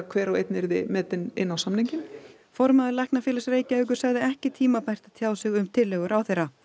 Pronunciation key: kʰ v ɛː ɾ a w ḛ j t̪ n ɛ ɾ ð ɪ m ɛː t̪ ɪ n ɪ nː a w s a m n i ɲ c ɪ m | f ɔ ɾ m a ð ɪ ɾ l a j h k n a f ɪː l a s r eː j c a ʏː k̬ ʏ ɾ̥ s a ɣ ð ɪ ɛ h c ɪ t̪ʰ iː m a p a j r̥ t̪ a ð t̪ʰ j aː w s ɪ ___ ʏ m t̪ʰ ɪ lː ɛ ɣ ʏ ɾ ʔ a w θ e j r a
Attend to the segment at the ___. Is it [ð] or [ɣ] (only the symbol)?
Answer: ɣ